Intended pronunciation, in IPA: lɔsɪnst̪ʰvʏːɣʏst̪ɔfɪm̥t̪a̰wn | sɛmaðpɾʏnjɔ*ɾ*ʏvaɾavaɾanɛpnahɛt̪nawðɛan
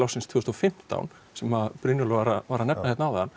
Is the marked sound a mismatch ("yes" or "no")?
yes